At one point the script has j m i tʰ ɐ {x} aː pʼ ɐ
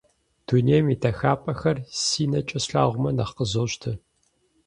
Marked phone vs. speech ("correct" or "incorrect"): correct